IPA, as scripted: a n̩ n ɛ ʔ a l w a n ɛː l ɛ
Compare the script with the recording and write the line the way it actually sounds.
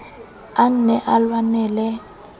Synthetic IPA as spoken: a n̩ n ɛ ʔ a l w a n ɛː l ɛ